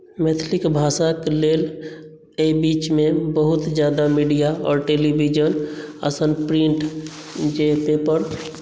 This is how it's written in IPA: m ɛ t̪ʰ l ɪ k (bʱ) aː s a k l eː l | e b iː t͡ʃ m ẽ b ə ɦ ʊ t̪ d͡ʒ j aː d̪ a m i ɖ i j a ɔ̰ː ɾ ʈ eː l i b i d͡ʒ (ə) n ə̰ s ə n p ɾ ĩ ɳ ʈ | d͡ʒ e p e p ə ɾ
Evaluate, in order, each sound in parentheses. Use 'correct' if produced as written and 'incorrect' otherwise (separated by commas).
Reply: correct, correct